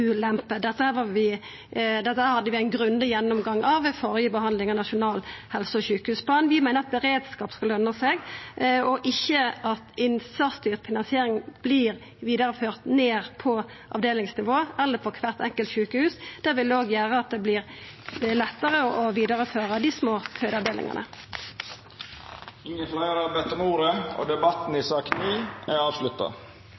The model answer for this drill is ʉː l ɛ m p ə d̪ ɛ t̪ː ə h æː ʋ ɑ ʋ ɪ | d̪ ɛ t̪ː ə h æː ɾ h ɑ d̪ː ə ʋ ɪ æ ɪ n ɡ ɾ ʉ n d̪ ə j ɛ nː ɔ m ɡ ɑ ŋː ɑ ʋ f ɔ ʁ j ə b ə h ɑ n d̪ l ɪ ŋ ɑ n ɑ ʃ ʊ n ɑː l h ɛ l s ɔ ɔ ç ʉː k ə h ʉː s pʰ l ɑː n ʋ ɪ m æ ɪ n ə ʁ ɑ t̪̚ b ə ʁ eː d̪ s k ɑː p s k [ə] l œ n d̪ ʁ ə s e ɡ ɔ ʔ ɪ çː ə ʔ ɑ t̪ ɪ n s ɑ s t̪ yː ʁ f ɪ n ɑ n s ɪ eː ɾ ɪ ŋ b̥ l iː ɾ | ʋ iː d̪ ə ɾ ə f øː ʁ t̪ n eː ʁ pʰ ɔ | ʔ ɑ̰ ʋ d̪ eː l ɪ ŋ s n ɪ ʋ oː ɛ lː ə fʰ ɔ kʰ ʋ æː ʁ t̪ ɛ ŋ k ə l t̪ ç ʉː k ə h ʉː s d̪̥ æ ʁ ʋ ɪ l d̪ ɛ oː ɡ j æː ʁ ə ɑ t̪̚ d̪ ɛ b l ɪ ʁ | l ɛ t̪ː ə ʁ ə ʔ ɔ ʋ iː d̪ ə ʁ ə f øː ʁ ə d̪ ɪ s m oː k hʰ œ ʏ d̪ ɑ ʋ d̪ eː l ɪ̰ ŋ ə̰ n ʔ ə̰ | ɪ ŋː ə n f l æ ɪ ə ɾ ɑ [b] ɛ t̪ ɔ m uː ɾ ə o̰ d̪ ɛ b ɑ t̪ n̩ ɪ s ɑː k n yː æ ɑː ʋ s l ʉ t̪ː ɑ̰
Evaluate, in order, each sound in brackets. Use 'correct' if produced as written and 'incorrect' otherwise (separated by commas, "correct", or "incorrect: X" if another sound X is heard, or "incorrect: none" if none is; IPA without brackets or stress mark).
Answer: incorrect: ɑ, correct